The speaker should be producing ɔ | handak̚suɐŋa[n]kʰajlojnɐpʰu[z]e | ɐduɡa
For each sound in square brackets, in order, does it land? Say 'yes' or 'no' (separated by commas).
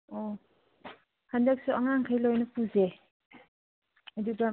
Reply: no, yes